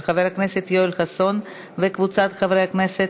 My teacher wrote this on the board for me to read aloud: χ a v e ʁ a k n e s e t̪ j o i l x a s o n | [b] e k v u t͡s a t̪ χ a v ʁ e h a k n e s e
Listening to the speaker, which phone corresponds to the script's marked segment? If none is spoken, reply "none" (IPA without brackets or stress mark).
v